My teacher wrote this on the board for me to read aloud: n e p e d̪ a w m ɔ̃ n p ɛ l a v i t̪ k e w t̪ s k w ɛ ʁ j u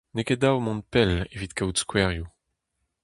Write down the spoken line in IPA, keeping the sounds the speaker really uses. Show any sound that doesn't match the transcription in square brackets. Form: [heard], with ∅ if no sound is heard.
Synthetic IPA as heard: n e [k] e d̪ a w m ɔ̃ n p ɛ l [e] v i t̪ k [a] w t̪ s k w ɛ ʁ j u

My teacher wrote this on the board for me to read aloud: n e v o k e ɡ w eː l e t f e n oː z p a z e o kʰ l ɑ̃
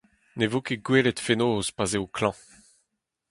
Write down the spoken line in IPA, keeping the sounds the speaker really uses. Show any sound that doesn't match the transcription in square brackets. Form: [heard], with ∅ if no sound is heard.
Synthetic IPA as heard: n e v o k e ɡ w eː l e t f e n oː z p a z e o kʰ l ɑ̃

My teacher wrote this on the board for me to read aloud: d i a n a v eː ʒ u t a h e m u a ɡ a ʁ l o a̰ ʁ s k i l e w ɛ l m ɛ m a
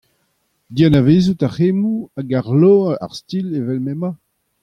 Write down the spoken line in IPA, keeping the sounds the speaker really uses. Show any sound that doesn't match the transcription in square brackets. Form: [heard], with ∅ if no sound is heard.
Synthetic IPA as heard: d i a n a v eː [z] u t a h e m u a ɡ a ʁ l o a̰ ʁ s [t] i l e [v] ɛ l m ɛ m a

